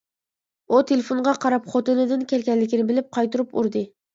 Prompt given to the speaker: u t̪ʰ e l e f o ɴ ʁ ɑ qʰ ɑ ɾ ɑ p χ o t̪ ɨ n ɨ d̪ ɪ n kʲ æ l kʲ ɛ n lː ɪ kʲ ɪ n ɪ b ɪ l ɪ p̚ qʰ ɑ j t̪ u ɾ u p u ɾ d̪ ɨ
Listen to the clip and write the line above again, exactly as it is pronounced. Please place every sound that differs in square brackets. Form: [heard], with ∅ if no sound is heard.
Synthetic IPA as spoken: u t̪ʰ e l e f o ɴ ʁ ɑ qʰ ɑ ɾ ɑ p χ o t̪ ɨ n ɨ d̪ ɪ n kʲ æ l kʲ ɛ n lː ɪ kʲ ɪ n ɪ b ɪ l ɪ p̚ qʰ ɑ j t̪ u ɾ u p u ɾ d̪ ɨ